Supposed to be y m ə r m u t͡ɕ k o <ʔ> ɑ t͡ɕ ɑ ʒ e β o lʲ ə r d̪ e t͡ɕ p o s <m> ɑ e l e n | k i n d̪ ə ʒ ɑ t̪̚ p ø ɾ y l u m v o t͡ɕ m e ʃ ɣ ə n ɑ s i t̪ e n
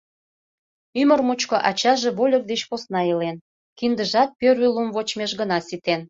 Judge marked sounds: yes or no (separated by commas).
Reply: yes, no